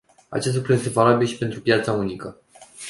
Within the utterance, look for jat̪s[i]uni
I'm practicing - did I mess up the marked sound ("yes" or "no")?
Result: yes